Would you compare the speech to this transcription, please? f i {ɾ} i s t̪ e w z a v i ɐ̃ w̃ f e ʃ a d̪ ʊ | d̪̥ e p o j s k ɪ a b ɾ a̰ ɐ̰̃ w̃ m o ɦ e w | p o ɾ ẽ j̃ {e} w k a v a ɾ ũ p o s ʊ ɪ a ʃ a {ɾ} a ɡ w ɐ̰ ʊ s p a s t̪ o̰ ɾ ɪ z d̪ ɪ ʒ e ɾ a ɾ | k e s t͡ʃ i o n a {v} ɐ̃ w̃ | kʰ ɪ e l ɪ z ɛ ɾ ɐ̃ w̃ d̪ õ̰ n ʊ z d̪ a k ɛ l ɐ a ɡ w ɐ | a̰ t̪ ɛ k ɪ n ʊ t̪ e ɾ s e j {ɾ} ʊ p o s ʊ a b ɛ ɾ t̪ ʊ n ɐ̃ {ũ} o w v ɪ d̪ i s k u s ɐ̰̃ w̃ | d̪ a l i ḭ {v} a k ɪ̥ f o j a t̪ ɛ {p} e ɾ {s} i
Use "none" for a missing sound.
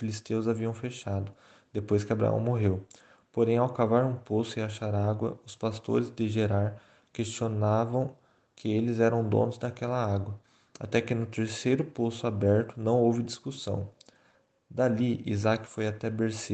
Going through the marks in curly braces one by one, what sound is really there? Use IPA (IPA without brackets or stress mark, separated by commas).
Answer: l, a, ɾ, v, ɾ, w̃, z, b, s